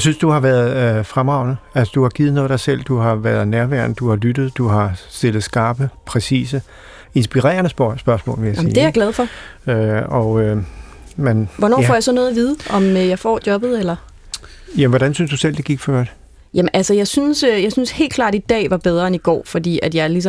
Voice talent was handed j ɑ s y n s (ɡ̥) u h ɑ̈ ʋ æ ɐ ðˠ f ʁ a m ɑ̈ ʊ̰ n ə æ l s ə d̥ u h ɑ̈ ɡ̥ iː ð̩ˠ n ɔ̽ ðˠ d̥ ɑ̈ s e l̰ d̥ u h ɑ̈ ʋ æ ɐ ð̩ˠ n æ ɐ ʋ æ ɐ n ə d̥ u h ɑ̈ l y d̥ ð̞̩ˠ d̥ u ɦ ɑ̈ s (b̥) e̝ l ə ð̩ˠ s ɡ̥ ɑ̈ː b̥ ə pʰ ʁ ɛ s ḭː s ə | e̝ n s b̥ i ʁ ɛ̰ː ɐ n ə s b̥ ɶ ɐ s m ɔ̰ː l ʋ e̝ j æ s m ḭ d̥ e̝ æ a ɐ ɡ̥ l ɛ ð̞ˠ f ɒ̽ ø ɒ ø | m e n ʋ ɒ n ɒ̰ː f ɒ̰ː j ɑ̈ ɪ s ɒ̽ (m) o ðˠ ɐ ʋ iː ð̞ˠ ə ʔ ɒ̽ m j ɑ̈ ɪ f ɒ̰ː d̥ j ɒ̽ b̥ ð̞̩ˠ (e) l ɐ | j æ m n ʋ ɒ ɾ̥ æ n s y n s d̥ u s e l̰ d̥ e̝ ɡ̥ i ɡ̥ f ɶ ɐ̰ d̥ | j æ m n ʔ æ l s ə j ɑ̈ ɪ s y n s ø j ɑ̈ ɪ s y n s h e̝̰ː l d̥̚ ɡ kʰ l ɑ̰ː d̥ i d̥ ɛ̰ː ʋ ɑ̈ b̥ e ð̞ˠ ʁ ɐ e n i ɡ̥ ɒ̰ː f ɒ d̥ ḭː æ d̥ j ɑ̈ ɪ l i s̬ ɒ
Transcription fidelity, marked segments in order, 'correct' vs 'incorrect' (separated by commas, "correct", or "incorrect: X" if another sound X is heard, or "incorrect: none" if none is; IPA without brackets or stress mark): incorrect: d̥, incorrect: d̥, incorrect: n, correct